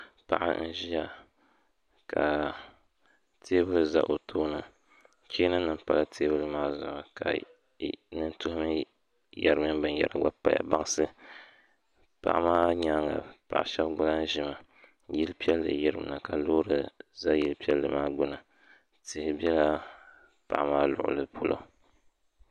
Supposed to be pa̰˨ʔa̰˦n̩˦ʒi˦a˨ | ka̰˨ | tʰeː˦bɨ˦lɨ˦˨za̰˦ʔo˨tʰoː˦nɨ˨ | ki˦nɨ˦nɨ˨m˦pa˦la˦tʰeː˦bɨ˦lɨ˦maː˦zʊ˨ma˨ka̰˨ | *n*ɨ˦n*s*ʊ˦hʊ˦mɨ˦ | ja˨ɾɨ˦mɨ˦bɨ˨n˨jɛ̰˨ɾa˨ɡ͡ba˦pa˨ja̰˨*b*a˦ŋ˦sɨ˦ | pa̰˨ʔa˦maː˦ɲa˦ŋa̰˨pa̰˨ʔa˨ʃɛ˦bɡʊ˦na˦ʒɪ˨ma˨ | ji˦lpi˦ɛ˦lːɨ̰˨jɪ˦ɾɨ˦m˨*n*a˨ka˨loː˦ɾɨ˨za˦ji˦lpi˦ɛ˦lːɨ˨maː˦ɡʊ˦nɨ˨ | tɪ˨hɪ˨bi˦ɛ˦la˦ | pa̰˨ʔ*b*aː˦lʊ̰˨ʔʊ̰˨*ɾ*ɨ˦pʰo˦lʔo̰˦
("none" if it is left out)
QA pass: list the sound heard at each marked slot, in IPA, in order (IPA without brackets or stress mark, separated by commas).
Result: n, t, b, n, m, l